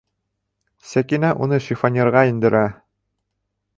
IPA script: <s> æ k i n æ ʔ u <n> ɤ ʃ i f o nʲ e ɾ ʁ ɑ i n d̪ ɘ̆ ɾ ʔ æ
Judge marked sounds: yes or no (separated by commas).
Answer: yes, yes